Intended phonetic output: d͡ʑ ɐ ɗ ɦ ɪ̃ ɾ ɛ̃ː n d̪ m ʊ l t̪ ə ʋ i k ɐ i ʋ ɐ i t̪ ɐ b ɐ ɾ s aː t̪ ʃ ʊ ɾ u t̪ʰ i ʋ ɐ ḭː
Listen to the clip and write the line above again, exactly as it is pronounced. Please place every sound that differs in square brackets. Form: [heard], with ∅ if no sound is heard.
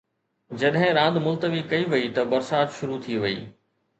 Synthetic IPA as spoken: d͡ʑ ɐ ɗ ɦ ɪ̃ ɾ [ãː] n d̪ m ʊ l t̪ ə ʋ i k ɐ i ʋ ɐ i t̪ ɐ b ɐ ɾ s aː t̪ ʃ ʊ ɾ u t̪ʰ i ʋ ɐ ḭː